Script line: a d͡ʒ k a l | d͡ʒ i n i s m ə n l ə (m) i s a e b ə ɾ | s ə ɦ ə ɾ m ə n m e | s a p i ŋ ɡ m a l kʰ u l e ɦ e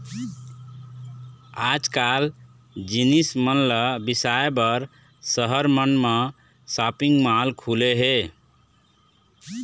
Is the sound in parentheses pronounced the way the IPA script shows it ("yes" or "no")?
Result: no